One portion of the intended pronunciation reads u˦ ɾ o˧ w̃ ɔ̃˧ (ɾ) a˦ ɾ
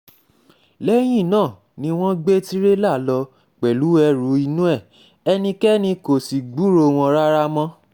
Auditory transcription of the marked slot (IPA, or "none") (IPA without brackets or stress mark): ɾ